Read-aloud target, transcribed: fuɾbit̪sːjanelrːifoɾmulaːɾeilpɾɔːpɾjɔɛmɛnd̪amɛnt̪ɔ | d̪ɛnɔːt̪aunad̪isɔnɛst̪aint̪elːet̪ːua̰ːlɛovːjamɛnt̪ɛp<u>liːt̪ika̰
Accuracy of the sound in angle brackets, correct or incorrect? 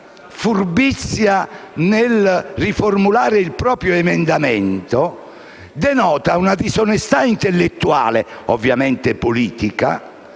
incorrect